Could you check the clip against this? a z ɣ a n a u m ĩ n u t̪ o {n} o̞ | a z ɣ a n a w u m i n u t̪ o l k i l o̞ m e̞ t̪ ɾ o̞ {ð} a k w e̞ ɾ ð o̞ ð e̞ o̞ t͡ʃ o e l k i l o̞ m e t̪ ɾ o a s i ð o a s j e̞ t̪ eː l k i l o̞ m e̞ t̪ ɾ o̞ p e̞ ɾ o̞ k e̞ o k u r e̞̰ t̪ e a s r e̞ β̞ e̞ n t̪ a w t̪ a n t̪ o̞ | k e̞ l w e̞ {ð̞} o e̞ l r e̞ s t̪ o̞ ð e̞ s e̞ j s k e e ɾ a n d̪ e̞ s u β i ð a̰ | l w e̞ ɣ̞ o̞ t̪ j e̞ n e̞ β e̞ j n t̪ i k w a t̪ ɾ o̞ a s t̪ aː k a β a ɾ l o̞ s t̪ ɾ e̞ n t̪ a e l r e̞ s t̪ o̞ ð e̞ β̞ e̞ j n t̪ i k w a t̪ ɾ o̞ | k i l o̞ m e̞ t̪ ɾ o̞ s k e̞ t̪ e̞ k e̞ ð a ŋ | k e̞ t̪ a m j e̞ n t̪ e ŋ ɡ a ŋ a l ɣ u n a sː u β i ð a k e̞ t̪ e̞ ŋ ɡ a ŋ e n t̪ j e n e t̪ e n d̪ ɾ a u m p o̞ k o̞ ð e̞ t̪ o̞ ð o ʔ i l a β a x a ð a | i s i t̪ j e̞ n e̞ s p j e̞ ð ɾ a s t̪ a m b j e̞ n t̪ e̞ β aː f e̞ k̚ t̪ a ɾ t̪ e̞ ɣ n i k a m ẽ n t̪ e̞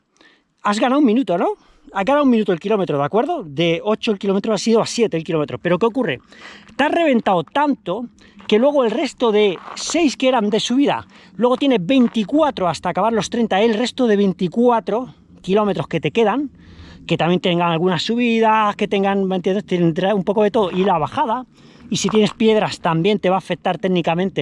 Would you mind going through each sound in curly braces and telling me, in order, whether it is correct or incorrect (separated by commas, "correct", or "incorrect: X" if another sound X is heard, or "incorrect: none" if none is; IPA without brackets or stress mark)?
correct, correct, incorrect: ɣ̞